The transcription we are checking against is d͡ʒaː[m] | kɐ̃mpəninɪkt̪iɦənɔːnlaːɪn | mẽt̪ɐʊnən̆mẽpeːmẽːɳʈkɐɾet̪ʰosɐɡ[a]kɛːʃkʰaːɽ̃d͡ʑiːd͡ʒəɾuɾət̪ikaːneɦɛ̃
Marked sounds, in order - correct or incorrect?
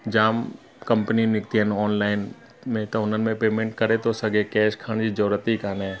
correct, incorrect

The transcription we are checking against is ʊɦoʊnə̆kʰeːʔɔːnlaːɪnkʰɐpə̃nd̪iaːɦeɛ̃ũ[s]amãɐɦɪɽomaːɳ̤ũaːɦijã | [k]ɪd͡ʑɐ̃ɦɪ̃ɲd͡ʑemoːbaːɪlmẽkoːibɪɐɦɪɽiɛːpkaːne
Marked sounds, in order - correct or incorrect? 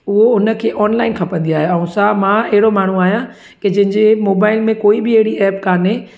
correct, correct

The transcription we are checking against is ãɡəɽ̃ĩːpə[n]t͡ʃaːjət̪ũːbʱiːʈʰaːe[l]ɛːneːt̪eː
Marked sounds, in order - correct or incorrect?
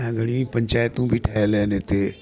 incorrect, correct

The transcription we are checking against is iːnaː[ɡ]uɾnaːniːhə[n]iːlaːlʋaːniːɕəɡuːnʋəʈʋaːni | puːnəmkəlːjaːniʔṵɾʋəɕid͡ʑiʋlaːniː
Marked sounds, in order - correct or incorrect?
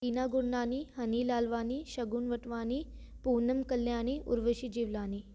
correct, correct

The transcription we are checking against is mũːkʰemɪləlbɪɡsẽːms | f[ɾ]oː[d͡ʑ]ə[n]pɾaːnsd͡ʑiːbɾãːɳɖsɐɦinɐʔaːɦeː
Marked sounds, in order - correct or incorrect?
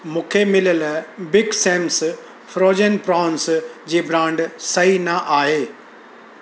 correct, correct, correct

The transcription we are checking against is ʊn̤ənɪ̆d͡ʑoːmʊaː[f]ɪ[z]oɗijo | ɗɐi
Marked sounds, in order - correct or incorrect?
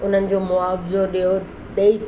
correct, correct

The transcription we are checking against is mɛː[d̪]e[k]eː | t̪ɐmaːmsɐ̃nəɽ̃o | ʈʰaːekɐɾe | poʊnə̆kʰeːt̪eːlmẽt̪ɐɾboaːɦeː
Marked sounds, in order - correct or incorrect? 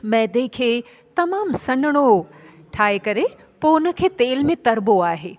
correct, incorrect

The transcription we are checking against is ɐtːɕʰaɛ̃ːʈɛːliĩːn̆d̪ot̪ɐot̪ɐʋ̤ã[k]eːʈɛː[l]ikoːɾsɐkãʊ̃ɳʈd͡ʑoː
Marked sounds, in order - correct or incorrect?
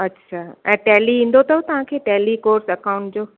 incorrect, correct

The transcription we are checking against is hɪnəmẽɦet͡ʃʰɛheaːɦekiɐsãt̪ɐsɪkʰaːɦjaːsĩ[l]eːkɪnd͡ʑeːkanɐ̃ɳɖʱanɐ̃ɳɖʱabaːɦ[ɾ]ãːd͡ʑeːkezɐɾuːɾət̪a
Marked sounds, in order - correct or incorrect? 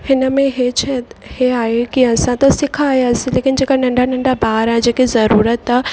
correct, correct

